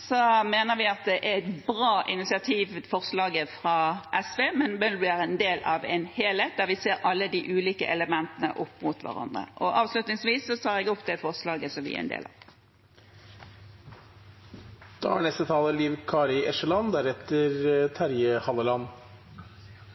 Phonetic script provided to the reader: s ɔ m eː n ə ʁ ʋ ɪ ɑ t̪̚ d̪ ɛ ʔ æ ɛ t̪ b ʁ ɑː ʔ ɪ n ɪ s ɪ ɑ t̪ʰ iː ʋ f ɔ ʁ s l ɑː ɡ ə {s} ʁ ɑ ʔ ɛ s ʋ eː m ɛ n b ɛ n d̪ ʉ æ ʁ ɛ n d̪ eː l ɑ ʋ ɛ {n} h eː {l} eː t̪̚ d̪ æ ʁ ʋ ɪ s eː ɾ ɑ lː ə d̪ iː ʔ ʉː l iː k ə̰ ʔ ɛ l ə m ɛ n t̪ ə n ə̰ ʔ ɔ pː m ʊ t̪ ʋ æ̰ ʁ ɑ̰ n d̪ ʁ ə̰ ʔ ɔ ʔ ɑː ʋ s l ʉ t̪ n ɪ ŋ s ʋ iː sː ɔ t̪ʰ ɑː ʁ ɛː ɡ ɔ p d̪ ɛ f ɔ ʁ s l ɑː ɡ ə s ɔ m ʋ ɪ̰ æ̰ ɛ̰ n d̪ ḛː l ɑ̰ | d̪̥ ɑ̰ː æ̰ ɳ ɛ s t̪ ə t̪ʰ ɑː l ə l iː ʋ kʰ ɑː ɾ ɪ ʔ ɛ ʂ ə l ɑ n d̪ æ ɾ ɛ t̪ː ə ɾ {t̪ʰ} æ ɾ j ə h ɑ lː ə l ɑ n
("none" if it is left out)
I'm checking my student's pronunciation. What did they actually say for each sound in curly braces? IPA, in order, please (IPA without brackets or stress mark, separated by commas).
f, n, l, t̪ʰ